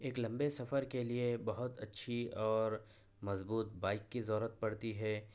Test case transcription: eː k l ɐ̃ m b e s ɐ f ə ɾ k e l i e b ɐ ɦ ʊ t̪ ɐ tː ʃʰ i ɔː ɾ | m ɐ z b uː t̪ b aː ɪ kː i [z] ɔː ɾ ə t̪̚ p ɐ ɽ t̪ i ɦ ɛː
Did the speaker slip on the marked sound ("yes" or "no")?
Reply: no